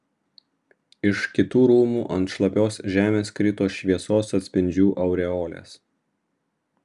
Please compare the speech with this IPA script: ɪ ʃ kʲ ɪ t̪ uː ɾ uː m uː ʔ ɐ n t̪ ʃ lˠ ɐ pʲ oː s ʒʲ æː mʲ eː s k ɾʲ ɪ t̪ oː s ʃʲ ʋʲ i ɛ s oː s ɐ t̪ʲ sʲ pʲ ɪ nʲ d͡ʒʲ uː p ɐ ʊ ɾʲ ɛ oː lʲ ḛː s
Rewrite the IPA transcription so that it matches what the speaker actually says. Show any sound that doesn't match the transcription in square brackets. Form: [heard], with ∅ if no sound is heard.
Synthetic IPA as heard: ɪ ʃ kʲ ɪ t̪ uː ɾ uː m uː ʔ ɐ n t̪ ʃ lˠ ɐ pʲ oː s ʒʲ æː mʲ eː s k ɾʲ ɪ t̪ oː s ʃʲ ʋʲ i ɛ s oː s ɐ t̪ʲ sʲ pʲ ɪ nʲ d͡ʒʲ uː [ʔ] ɐ ʊ ɾʲ ɛ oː lʲ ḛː s